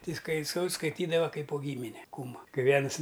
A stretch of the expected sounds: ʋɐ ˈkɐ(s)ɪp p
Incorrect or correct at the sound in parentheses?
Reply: incorrect: none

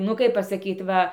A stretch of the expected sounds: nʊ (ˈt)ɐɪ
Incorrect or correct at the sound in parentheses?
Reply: incorrect: k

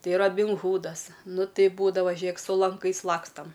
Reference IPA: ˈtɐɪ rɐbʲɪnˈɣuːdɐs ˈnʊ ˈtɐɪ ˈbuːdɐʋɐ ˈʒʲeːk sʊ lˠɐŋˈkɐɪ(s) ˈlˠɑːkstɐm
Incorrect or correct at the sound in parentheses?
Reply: correct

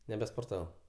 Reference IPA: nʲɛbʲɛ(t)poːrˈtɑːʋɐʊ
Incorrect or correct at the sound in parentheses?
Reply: incorrect: s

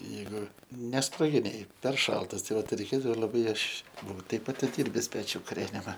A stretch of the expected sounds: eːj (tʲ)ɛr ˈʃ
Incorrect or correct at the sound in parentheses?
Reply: incorrect: pʲ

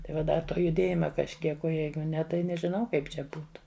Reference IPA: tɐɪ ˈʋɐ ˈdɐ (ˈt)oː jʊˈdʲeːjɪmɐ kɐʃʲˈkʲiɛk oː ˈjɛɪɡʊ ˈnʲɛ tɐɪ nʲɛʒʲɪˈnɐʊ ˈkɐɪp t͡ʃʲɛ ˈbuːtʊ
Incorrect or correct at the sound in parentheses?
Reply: correct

